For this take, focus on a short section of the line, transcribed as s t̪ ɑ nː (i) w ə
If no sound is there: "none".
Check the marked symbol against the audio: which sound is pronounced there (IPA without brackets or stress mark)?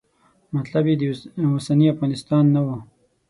a